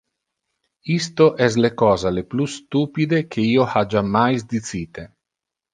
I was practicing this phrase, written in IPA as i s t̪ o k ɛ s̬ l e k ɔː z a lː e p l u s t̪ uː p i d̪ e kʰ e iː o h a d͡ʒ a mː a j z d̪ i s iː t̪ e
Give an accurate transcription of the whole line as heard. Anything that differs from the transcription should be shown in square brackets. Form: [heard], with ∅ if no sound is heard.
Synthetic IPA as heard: i s t̪ o [ʔ] ɛ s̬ l e k ɔː z a [l] e p l u s t̪ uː p i d̪ e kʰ e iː o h a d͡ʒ a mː a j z d̪ i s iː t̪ e